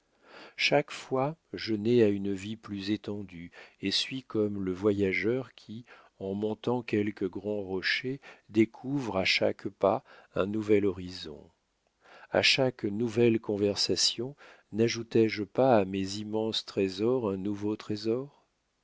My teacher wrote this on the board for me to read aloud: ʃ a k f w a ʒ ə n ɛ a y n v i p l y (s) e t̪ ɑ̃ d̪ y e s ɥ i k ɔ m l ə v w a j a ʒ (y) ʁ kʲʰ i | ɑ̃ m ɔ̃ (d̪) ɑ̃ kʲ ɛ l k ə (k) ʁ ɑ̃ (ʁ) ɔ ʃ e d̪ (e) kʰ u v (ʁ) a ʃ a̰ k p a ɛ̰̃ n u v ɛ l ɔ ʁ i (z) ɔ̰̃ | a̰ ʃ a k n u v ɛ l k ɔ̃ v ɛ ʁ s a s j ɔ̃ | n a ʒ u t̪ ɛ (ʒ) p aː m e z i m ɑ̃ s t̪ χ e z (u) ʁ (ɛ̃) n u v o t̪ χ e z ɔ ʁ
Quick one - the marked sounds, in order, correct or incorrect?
incorrect, incorrect, incorrect, incorrect, correct, correct, correct, correct, correct, incorrect, correct

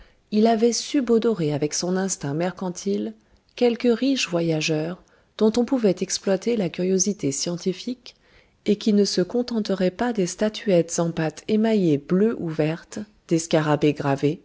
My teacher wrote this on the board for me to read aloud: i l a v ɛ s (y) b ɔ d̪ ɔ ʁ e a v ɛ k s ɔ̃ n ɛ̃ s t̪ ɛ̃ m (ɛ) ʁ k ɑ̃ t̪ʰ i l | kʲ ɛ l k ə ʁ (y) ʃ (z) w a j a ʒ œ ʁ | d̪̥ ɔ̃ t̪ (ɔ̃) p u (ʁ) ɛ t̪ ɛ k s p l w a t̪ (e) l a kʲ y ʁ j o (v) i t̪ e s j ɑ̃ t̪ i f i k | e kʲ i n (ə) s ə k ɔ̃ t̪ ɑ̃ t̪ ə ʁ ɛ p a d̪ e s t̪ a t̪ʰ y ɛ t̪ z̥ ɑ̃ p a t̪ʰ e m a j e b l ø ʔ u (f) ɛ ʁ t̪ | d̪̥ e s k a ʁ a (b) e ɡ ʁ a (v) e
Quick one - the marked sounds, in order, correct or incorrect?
correct, correct, incorrect, incorrect, correct, incorrect, correct, incorrect, correct, incorrect, correct, correct

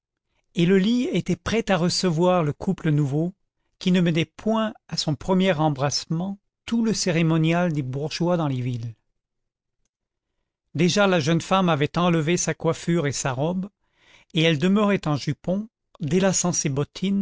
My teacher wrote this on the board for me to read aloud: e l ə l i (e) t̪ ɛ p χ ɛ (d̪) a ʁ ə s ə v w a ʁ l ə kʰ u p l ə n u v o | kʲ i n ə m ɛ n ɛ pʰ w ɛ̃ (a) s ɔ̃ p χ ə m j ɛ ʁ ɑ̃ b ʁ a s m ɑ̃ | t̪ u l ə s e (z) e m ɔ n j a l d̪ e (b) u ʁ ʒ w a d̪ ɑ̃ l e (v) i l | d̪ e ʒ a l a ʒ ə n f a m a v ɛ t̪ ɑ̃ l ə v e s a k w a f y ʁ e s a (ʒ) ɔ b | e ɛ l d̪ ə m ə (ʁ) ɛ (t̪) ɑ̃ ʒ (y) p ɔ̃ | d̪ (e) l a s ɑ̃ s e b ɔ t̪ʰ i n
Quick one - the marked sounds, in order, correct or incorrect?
correct, incorrect, correct, incorrect, correct, correct, incorrect, correct, correct, correct, correct

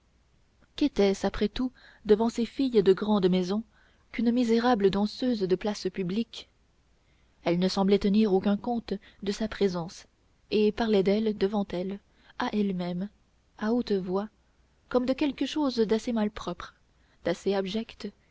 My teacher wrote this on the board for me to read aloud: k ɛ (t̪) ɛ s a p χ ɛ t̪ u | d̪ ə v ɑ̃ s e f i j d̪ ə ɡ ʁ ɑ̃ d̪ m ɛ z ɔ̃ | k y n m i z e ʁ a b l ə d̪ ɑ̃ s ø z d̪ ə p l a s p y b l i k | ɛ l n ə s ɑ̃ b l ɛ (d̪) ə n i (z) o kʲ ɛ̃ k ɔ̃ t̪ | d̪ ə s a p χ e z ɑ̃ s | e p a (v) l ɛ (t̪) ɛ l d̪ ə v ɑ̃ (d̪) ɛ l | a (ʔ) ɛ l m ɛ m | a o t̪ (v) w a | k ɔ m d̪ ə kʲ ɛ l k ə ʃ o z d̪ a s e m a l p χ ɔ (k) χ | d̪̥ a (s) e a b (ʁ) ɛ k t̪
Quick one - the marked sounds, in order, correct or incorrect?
correct, incorrect, incorrect, incorrect, incorrect, incorrect, correct, correct, incorrect, correct, incorrect

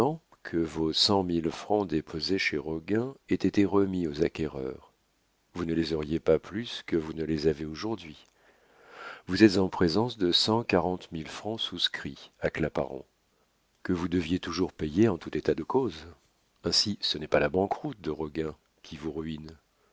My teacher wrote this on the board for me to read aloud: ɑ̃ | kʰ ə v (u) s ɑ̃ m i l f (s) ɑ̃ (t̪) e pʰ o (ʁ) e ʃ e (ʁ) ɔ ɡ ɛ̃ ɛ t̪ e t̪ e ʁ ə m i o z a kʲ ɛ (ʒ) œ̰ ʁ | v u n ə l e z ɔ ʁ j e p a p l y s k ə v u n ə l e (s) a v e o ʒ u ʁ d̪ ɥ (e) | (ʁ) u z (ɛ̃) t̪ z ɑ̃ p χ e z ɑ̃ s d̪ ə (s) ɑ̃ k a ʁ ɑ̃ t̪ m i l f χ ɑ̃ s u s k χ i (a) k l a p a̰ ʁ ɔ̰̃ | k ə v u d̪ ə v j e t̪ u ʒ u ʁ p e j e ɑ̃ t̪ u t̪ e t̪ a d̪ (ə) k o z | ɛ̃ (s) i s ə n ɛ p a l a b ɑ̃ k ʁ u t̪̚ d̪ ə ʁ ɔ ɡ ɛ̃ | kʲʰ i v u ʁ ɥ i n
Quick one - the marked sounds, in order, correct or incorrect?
incorrect, incorrect, incorrect, incorrect, correct, incorrect, incorrect, incorrect, incorrect, incorrect, correct, correct, correct, correct

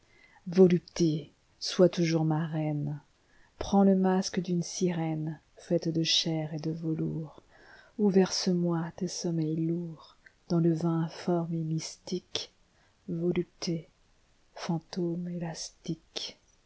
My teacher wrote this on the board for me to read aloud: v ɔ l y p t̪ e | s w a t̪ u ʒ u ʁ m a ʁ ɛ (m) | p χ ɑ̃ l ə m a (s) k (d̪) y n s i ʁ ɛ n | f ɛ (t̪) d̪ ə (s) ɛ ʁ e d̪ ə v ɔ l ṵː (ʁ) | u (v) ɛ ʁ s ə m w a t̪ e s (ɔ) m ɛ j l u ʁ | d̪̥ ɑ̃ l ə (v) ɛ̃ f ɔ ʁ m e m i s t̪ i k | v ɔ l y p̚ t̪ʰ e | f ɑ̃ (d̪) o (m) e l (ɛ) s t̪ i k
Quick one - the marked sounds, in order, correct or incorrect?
incorrect, correct, correct, correct, incorrect, correct, correct, correct, correct, incorrect, correct, incorrect

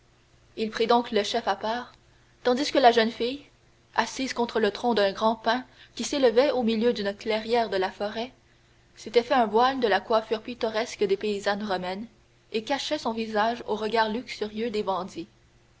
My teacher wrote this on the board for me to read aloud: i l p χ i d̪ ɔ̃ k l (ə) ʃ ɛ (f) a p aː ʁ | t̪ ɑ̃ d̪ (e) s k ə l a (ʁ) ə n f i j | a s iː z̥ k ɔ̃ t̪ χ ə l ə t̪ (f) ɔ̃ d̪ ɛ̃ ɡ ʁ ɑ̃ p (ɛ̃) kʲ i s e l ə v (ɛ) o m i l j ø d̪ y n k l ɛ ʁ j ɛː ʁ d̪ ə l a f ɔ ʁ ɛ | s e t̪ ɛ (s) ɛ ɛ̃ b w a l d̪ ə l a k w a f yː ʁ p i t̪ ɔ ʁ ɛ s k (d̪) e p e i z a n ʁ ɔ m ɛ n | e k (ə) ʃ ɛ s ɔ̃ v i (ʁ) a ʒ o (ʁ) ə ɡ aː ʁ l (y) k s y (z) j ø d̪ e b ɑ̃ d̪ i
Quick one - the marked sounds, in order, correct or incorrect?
correct, correct, incorrect, incorrect, incorrect, correct, correct, incorrect, correct, incorrect, incorrect, correct, correct, incorrect

